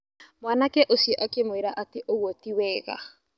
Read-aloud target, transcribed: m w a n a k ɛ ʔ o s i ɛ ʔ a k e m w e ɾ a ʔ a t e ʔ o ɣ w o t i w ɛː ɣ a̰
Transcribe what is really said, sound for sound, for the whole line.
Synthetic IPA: m w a n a k ɛ ʔ o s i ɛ ʔ a k e m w e ɾ a ʔ a t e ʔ o ɣ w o t i w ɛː ɣ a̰